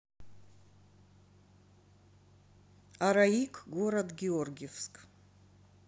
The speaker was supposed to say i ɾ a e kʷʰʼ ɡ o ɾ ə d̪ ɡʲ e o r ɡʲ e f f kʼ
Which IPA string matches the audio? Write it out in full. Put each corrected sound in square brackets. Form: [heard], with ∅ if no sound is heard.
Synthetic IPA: [a] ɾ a [i] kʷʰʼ ɡ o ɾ [a] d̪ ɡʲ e o r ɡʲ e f [s] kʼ